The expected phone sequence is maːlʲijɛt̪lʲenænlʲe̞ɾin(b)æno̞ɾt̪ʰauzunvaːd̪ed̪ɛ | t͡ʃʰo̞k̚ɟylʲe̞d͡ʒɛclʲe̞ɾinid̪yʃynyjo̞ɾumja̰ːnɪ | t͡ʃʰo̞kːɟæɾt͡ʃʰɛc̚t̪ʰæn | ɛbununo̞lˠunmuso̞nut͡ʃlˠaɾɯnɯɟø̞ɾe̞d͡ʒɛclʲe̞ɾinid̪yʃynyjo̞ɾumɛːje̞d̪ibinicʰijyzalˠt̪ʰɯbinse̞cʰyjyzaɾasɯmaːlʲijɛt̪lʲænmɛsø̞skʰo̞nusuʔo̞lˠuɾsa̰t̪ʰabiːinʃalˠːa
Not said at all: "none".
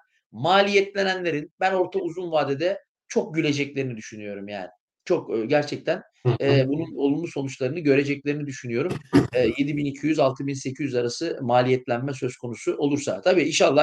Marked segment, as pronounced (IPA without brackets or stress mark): b